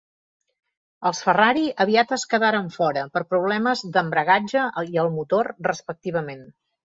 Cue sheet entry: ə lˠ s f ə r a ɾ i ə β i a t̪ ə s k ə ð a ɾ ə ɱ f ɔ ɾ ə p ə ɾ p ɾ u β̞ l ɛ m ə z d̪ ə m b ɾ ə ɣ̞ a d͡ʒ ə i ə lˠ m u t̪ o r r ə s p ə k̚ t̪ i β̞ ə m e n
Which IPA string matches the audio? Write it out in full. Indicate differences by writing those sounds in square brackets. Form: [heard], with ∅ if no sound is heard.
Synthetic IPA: ə lˠ s f ə r a ɾ i ə β i a t̪ ə s k ə ð a ɾ ə ɱ f ɔ ɾ ə p ə ɾ p ɾ u β̞ l ɛ m ə z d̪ ə m b ɾ ə ɣ̞ a d͡ʒ ə i ə lˠ m u t̪ o r r ə s p ə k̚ t̪ i β̞ ə m e n